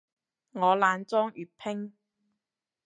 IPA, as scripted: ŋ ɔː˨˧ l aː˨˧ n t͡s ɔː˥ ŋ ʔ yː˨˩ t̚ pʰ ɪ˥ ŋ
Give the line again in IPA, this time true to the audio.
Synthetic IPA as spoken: ŋ ɔː˨˧ l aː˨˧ n t͡s ɔː˥ ŋ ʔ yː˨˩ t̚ pʰ ɪ˥ ŋ